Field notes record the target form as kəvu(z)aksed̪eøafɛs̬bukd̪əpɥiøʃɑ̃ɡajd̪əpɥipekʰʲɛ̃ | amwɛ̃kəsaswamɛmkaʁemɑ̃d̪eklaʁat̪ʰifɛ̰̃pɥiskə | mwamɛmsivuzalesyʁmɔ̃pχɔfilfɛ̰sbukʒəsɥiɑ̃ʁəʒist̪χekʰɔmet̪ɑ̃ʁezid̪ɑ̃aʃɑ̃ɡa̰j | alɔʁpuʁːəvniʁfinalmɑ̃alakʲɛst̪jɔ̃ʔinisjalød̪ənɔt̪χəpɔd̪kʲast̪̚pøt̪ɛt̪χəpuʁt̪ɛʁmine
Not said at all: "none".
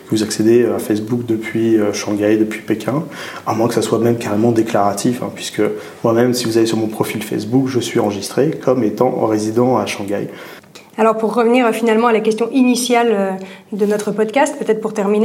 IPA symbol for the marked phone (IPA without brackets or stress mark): z